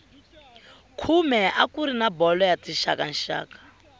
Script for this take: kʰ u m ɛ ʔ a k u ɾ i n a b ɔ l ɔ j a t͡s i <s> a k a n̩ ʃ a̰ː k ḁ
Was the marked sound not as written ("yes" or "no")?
yes